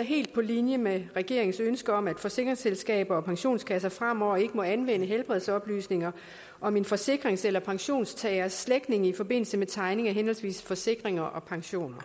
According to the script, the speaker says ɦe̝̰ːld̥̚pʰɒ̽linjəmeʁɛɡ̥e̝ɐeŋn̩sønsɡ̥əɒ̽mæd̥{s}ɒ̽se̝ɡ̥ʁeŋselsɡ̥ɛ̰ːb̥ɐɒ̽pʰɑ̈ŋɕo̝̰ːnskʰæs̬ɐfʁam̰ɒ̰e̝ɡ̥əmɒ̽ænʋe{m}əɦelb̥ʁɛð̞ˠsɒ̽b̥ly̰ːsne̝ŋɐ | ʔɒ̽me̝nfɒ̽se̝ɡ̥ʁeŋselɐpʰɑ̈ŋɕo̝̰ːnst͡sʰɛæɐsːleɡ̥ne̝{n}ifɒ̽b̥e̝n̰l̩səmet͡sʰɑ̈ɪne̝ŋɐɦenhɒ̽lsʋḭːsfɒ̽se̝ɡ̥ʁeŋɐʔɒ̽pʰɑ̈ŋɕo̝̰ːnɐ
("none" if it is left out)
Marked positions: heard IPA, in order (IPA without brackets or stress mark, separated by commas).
f, n, ŋ